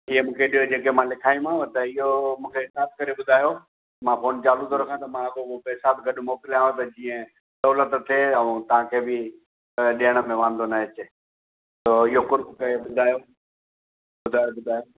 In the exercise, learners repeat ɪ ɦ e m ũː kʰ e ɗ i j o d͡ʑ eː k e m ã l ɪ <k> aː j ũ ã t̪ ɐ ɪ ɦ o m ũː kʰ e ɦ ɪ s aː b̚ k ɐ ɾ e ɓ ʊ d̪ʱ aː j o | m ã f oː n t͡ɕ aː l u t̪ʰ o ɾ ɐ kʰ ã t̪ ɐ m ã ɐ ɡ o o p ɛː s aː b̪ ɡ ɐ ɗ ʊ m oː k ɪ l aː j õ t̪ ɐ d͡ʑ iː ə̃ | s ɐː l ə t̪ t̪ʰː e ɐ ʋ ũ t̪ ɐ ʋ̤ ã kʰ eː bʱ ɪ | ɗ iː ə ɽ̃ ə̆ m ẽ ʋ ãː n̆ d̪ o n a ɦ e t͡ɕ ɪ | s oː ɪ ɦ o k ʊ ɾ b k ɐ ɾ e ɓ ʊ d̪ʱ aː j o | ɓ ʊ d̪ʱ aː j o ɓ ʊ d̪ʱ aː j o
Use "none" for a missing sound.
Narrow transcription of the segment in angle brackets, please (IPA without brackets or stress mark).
kʰ